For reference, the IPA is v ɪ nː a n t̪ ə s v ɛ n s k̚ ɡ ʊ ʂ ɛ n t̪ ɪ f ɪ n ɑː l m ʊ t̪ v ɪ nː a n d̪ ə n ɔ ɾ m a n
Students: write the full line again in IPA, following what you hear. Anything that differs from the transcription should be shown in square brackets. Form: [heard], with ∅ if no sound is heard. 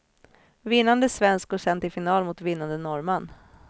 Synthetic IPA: v ɪ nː a n [d̪] ə s v ɛ n s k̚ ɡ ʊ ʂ ɛ n t̪ ɪ f ɪ n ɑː l m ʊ t̪ v ɪ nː a n d̪ ə n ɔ ɾ m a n